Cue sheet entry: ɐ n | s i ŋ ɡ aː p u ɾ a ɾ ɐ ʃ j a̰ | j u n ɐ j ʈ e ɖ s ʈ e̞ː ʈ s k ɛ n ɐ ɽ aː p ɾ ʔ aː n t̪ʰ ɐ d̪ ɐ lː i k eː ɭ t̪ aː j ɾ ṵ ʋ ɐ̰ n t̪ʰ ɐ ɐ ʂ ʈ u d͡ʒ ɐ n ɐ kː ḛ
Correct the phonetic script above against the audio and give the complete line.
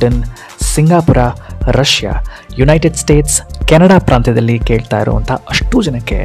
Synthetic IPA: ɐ n | s i ŋ ɡ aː p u ɾ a ɾ ɐ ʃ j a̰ | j u n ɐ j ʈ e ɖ s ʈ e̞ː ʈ s k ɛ n ɐ ɽ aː p ɾ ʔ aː n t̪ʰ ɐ d̪ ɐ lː i k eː ɭ t̪ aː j ɾ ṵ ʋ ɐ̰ n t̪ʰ ɐ ɐ ʂ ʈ u d͡ʒ ɐ n ɐ kː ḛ